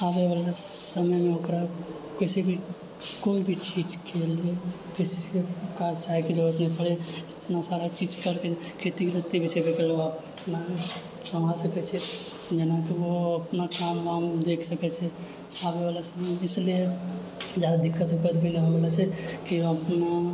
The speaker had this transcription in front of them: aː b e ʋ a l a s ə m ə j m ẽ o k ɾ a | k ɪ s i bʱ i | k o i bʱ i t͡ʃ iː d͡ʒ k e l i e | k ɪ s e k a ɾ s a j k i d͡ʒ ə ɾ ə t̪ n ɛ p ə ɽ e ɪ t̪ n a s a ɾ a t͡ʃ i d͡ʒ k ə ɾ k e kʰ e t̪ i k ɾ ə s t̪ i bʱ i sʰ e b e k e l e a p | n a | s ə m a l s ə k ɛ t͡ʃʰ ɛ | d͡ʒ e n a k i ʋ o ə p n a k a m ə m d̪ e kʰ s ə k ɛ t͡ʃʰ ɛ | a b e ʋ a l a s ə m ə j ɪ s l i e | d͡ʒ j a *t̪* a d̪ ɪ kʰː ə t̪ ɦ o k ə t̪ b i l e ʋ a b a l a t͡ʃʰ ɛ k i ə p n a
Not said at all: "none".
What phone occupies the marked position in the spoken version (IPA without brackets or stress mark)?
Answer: d̪